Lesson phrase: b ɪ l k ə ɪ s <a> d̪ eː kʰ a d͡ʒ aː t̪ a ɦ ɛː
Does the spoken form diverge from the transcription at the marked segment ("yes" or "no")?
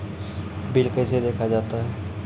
yes